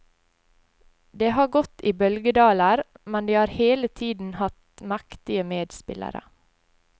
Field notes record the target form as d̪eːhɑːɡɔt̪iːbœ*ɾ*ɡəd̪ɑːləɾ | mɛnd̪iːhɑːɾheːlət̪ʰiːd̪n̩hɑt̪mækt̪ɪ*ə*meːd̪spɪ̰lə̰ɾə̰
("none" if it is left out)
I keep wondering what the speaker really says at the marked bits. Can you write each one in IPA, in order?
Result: l, ə

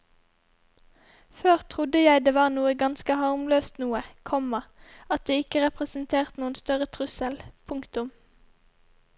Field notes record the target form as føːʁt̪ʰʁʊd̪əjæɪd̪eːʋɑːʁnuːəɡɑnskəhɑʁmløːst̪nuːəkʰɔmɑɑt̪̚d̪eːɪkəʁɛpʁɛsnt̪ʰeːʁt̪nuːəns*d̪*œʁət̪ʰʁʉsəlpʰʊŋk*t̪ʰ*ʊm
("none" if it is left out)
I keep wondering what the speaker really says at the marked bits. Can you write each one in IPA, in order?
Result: t̪, t̪

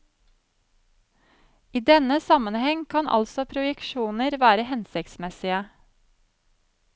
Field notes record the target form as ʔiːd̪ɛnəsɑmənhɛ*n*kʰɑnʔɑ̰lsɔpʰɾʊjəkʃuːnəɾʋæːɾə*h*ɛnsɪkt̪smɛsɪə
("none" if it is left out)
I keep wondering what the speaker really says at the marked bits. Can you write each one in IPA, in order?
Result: ŋ, h

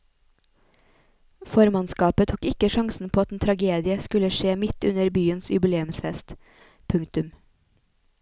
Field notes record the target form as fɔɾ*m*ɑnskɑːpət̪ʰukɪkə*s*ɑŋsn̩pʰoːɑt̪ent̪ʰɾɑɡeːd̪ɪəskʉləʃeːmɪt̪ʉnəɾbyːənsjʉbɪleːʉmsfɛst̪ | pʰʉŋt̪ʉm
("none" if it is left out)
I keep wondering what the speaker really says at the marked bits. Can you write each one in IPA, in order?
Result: m, ʃ

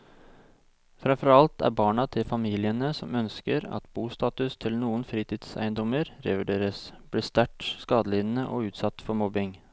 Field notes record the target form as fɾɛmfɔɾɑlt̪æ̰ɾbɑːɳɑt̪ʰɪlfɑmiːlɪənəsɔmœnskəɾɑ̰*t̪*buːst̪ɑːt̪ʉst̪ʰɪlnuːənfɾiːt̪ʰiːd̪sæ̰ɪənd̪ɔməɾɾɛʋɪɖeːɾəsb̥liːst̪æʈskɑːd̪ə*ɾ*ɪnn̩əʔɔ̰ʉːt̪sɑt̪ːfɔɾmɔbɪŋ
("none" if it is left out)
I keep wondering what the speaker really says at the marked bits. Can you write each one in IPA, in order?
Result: t̪, l

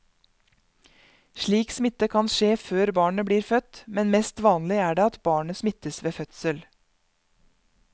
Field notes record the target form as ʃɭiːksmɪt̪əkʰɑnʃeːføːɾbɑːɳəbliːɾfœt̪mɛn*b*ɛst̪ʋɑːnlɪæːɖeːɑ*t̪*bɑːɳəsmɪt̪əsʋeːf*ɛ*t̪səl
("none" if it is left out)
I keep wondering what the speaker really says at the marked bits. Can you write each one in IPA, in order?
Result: m, t̪, œ

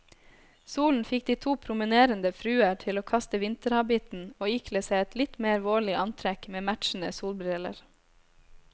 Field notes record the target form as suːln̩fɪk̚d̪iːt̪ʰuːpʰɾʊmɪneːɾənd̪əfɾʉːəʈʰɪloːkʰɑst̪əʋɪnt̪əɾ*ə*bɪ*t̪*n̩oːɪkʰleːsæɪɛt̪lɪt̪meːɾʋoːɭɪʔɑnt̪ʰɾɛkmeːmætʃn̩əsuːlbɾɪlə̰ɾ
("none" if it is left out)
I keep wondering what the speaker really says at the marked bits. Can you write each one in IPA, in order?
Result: ɑ, t̪

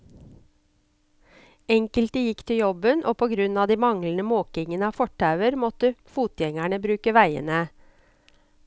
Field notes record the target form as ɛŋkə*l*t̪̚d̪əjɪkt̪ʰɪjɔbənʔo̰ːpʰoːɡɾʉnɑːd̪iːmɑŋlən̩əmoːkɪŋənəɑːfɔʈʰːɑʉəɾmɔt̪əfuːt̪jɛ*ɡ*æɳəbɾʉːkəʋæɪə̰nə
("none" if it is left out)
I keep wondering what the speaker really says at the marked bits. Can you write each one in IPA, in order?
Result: l, ŋ

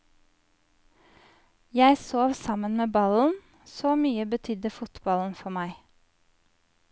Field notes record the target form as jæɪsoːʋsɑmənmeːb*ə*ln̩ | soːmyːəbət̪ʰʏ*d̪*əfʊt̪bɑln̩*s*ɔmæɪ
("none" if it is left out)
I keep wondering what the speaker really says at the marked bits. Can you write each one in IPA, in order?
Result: ɑ, d̪, f

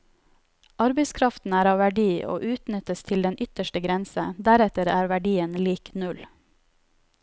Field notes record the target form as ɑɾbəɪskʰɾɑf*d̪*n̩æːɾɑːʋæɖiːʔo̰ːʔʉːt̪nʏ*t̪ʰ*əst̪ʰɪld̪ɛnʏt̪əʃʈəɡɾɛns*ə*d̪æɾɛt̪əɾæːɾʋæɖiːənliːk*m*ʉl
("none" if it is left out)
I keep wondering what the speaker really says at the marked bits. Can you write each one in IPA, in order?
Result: t̪, t̪, ə, n

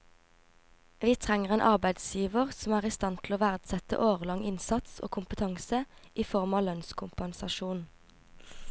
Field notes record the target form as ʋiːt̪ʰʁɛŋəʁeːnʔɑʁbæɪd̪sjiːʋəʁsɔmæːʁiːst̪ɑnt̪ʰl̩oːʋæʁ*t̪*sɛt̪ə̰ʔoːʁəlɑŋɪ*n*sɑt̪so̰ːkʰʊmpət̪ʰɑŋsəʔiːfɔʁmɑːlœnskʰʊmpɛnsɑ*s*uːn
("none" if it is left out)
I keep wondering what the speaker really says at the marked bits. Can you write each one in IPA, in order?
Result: d̪, n, ʃ

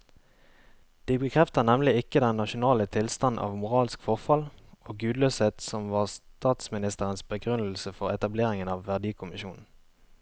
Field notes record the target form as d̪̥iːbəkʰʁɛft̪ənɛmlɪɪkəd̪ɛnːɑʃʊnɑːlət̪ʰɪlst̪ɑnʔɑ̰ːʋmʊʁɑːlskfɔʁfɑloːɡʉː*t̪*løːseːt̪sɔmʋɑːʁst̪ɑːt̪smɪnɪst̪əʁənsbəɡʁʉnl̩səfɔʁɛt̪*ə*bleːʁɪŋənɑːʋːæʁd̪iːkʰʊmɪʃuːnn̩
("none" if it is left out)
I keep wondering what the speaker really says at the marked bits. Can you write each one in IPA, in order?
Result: d̪, ɑ

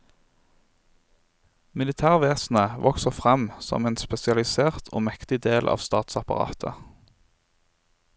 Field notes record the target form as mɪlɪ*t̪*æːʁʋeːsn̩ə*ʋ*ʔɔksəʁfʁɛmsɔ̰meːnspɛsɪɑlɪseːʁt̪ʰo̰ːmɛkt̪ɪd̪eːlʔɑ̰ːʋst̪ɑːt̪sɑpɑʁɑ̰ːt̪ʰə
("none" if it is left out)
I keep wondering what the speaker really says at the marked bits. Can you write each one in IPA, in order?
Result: t̪ʰ, ʋ

